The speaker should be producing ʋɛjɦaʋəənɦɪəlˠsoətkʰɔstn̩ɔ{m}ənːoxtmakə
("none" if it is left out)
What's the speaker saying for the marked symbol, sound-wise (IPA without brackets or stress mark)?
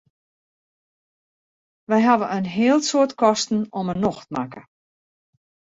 m